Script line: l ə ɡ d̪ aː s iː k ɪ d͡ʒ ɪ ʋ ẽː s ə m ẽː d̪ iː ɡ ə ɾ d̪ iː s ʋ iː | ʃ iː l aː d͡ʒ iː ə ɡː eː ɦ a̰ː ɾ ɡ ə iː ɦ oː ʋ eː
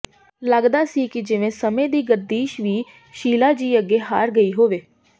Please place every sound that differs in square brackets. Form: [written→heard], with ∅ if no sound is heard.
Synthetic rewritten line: l ə ɡ d̪ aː s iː k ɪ d͡ʒ ɪ ʋ ẽː s ə m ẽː d̪ iː ɡ ə ɾ d̪ iː [s→ʃ] ʋ iː | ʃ iː l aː d͡ʒ iː ə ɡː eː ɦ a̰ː ɾ ɡ ə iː ɦ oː ʋ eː